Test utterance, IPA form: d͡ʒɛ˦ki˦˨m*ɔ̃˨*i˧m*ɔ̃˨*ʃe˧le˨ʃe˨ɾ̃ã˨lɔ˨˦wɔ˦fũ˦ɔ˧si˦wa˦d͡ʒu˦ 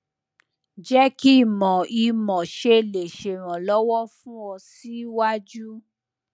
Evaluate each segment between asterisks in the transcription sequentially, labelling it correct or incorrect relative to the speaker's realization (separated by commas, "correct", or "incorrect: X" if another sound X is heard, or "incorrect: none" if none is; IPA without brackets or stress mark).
correct, correct